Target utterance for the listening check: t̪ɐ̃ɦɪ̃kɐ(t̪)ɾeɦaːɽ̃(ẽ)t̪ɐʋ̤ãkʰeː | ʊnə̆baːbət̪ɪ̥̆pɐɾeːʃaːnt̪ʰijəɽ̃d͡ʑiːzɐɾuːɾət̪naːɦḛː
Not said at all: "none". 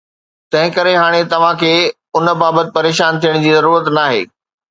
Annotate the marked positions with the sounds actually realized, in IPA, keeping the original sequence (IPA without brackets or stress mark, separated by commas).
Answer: none, e